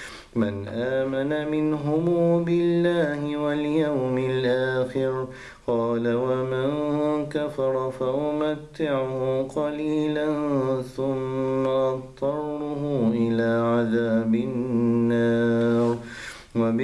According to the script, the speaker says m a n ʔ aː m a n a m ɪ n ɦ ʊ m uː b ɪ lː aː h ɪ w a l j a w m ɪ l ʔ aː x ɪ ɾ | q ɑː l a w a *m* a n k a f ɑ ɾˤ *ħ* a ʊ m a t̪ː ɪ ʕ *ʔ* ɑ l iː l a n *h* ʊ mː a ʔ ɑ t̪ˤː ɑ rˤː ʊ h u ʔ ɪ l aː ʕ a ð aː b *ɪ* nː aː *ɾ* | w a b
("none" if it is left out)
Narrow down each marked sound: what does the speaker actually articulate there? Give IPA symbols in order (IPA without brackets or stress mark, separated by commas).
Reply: m, f, q, θ, ɪ, ɾ